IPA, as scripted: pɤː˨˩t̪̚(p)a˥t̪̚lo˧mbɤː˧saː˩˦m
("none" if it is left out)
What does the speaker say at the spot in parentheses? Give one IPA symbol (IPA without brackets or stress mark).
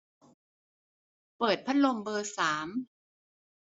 pʰ